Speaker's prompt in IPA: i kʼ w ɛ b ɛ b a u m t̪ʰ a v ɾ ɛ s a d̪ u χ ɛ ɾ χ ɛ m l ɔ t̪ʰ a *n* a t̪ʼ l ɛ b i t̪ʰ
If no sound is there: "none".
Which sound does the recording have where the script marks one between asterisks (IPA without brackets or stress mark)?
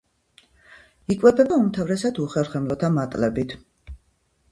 m